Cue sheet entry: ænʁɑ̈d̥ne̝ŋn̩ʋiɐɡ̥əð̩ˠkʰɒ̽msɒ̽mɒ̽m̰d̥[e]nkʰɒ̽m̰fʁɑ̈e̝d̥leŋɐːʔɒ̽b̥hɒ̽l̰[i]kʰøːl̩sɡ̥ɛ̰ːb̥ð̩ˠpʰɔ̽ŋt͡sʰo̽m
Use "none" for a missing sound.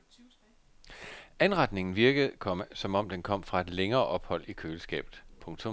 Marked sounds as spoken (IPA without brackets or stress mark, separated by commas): e, i